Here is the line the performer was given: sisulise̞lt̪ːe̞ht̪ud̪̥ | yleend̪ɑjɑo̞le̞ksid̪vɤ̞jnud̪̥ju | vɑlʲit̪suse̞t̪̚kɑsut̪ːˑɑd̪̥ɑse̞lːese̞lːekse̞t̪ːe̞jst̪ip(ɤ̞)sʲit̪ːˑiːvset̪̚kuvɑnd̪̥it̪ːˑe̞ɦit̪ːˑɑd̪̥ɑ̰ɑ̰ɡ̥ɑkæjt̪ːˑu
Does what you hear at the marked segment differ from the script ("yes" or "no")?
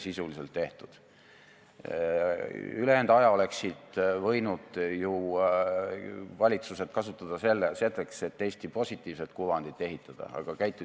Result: yes